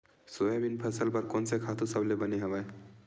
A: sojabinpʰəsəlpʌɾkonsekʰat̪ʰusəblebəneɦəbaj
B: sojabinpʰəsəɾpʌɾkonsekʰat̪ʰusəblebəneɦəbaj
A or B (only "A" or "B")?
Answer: A